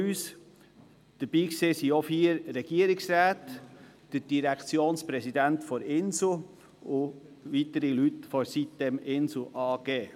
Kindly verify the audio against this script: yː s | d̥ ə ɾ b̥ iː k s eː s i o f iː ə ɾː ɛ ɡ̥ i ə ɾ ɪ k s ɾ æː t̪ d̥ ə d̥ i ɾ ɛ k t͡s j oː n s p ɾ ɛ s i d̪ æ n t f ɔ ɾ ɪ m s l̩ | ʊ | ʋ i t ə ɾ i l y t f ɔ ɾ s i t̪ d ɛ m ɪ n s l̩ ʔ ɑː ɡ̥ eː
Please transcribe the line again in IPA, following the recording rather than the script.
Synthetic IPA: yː s | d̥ ə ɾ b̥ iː k s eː s i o f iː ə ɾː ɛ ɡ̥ i ə ɾ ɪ k s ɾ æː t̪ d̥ ə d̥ i ɾ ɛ k t͡s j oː n s p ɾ ɛ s i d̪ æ n t f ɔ ɾ ɪ n s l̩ | ʊ | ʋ i t ə ɾ i l y t f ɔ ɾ s i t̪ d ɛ m ɪ n s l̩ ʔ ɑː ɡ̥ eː